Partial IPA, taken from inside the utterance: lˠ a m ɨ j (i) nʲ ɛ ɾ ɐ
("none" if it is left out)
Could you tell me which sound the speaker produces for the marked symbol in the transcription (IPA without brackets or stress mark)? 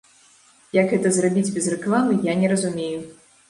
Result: a